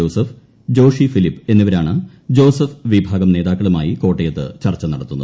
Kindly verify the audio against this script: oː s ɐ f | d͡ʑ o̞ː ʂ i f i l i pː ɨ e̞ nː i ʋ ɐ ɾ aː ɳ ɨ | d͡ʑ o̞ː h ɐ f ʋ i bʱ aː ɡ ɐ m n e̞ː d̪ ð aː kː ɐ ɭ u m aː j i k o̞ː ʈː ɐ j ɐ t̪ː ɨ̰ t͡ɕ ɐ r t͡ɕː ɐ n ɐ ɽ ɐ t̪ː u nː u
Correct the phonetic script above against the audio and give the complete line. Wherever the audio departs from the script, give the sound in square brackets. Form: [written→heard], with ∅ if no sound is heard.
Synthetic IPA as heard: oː s ɐ f | d͡ʑ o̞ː ʂ i f i l i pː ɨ e̞ nː i ʋ ɐ ɾ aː ɳ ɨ | d͡ʑ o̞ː [h→s] ɐ f ʋ i bʱ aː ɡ ɐ m n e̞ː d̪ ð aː kː ɐ ɭ u m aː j i k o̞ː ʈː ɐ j ɐ t̪ː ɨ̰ t͡ɕ ɐ r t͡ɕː ɐ n ɐ ɽ ɐ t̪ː u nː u